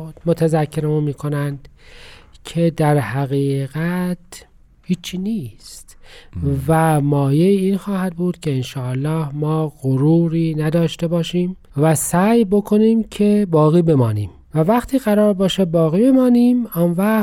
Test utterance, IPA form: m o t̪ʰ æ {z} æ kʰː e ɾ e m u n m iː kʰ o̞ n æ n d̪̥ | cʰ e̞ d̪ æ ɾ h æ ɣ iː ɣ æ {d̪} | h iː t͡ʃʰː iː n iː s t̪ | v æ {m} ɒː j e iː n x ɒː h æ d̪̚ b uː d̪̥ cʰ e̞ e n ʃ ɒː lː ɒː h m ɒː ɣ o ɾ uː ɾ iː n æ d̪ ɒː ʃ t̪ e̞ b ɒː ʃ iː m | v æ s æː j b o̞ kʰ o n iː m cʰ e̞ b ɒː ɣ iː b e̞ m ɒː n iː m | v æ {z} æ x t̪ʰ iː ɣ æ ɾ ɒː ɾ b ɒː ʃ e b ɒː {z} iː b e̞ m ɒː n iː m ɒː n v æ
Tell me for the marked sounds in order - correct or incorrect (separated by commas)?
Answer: correct, incorrect, correct, incorrect, incorrect